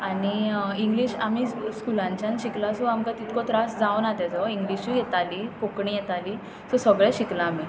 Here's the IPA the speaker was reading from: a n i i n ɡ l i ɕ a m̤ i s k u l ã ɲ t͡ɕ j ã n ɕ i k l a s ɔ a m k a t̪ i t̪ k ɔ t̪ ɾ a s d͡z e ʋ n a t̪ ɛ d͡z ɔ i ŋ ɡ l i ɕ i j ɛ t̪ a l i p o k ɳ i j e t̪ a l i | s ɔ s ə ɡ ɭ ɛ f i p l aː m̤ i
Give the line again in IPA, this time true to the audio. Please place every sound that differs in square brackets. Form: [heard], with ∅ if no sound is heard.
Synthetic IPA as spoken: a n i i [ŋ] ɡ l i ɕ a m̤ i s k u l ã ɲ t͡ɕ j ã n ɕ i k l a s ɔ a m k a t̪ i t̪ k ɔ t̪ ɾ a s d͡z [a] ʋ n a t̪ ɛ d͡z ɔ i ŋ ɡ l i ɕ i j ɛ t̪ a l i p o k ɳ i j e t̪ a l i | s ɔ s ə ɡ ɭ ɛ [ɕ] i [k] l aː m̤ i